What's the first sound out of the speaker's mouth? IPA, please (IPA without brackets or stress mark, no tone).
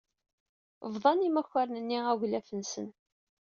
v